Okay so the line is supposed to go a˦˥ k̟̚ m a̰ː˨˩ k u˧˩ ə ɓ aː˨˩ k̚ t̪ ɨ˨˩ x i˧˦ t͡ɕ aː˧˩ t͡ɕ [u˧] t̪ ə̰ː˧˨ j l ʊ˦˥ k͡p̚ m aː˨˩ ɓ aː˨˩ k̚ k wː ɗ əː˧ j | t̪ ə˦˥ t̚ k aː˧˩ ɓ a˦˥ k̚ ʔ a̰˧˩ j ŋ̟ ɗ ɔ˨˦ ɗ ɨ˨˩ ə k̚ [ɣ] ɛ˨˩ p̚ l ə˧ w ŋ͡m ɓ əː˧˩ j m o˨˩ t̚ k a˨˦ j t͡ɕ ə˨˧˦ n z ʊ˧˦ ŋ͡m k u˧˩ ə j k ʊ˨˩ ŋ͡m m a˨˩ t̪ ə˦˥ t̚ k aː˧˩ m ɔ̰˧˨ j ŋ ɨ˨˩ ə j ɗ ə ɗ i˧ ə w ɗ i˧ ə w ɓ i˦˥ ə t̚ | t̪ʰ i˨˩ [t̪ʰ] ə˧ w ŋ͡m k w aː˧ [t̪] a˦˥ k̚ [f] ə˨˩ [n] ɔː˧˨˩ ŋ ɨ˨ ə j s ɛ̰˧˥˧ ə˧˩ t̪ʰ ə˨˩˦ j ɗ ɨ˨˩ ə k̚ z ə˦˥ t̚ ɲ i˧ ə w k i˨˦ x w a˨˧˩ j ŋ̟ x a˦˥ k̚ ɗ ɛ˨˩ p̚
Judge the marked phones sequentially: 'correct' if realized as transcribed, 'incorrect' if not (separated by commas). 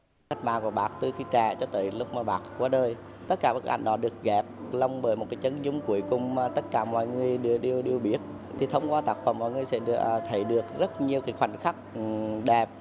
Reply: incorrect, correct, correct, correct, correct, incorrect